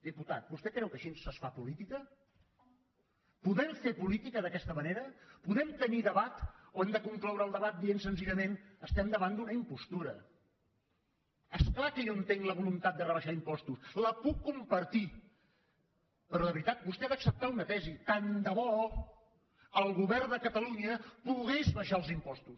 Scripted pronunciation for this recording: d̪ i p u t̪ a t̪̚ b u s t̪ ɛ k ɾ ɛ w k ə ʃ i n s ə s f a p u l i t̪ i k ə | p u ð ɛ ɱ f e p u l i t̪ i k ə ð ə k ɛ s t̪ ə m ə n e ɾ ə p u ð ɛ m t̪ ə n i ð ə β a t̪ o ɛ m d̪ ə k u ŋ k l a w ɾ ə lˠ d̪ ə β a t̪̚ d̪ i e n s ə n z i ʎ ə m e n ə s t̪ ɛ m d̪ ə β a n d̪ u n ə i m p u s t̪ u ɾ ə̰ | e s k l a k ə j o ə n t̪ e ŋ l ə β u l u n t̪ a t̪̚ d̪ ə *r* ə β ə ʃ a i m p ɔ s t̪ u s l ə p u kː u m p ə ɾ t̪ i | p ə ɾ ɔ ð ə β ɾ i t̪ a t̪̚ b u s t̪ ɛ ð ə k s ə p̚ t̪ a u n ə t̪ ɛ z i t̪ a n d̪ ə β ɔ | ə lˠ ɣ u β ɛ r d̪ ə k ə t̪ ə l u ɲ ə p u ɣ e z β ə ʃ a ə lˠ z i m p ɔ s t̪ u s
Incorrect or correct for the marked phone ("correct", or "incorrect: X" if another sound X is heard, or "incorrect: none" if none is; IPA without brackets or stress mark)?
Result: correct